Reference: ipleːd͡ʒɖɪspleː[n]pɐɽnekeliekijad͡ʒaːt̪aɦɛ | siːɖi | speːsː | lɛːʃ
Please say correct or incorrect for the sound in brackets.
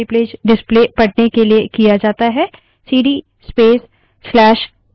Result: incorrect